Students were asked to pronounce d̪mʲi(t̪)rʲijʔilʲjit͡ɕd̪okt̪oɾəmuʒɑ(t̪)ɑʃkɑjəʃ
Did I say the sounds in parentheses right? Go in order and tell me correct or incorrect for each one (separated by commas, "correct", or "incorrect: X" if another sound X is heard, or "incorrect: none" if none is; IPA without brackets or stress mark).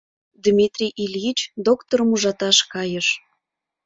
correct, correct